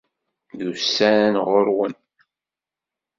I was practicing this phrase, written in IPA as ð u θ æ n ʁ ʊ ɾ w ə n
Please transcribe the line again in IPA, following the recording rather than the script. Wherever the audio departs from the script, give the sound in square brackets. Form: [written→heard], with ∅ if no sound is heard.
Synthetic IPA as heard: ð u [θ→s] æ n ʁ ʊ ɾ w ə n